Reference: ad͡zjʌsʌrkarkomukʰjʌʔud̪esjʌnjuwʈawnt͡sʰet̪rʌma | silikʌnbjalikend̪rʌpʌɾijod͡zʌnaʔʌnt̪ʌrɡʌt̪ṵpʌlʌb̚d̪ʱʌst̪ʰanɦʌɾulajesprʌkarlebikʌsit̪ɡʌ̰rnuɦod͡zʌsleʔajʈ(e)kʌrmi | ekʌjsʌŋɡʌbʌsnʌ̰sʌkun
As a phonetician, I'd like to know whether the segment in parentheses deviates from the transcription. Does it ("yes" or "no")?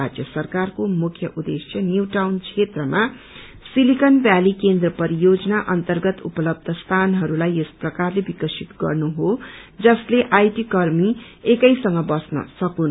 yes